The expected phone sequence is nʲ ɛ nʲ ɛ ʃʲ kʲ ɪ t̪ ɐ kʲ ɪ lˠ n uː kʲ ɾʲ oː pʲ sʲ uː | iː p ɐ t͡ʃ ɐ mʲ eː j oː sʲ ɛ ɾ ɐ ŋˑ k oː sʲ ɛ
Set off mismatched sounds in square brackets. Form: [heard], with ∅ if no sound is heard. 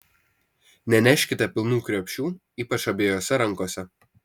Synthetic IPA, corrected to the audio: nʲ ɛ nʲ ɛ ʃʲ kʲ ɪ t̪ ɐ [pʲ] ɪ lˠ n uː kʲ ɾʲ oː pʲ [ʃʲ] uː | iː p ɐ t͡ʃ ɐ [bʲ] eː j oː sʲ ɛ ɾ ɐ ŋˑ k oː sʲ ɛ